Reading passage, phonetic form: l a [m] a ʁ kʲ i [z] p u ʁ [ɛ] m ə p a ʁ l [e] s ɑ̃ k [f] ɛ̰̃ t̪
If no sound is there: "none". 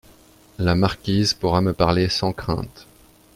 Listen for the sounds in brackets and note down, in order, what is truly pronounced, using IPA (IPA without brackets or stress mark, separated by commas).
m, z, a, e, χ